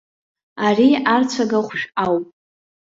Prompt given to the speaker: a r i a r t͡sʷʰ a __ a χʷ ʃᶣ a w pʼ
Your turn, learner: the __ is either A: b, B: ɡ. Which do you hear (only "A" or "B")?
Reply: B